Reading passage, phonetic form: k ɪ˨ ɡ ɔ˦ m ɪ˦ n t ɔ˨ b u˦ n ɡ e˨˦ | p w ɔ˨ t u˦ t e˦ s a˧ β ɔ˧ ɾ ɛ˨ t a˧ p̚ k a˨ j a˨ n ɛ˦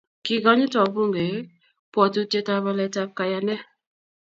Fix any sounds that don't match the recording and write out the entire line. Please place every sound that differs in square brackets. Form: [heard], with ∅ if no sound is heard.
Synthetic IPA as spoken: k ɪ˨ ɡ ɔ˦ [ɲ] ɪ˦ [∅] t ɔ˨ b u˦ [ŋ] ɡ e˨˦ | p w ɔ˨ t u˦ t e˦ [t] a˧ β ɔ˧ [l] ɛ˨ t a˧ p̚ k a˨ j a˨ n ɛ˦